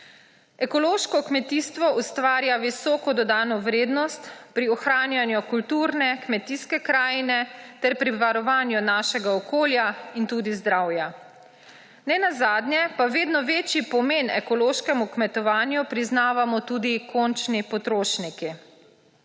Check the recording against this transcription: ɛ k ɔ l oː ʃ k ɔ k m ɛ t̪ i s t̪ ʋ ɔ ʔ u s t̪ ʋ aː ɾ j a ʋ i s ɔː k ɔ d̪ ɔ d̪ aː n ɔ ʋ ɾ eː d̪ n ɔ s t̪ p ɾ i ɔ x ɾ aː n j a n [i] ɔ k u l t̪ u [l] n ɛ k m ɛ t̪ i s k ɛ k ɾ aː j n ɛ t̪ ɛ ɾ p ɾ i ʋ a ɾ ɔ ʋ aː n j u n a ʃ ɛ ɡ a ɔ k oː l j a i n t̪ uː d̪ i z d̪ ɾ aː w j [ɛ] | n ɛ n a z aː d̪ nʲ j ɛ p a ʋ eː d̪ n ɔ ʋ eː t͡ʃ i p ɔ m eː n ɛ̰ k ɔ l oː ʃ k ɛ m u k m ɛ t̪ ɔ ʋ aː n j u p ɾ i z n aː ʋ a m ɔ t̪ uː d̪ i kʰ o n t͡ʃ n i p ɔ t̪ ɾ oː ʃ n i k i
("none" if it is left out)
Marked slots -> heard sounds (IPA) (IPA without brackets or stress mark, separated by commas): j, ɾ, a